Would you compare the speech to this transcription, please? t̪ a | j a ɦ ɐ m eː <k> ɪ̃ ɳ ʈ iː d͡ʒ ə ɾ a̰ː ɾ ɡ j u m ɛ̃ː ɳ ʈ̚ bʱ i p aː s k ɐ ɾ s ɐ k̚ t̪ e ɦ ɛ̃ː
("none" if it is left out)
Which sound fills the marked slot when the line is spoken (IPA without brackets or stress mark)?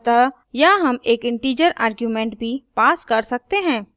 k